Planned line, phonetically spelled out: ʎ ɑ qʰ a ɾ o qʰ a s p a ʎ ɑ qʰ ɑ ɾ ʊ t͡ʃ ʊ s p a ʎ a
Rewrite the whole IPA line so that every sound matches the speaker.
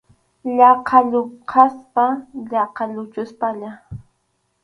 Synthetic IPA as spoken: ʎ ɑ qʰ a ʎ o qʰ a s p a ʎ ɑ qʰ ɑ ʎ ʊ t͡ʃ ʊ s p a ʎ a